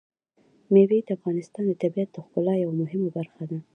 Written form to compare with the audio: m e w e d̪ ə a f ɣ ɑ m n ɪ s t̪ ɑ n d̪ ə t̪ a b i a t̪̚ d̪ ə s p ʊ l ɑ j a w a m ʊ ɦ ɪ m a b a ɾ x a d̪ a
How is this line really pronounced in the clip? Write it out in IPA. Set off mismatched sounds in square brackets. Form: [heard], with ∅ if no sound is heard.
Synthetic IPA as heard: m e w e d̪ ə a f ɣ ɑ [∅] n ɪ s t̪ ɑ n d̪ ə t̪ a b i a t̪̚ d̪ ə [x] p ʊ l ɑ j a w a m ʊ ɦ ɪ m a b a ɾ x a d̪ a